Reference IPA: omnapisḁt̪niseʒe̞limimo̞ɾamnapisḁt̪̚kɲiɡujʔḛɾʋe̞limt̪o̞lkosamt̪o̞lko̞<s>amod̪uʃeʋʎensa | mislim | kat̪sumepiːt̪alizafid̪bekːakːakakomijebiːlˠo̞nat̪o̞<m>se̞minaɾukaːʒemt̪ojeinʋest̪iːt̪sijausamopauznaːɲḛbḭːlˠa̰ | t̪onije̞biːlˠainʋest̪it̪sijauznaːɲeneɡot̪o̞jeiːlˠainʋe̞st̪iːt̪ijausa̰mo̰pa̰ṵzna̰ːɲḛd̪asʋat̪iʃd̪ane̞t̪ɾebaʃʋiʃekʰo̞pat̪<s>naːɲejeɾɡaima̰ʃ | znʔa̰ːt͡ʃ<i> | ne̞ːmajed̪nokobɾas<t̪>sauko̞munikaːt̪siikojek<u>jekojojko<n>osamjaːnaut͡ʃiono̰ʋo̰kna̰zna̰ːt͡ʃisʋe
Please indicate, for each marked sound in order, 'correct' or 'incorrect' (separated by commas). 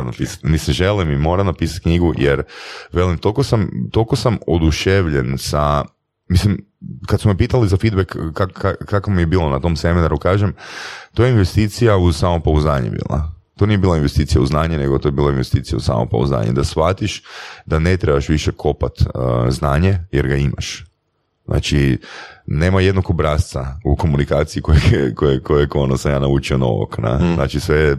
correct, correct, incorrect, correct, correct, incorrect, correct